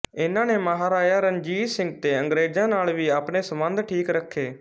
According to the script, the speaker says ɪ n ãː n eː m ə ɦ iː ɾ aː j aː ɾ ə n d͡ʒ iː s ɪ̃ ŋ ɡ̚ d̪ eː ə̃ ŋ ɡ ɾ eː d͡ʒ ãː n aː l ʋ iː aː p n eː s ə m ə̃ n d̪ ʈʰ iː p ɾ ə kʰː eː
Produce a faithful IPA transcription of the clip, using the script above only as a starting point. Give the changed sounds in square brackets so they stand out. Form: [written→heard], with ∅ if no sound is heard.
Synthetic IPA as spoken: ɪ n ãː n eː m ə ɦ [iː→aː] ɾ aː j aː ɾ ə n d͡ʒ iː s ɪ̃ ŋ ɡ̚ [d̪→t̪] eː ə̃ ŋ ɡ ɾ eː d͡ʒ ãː n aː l ʋ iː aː p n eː s ə m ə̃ n d̪ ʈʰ iː [p→k] ɾ ə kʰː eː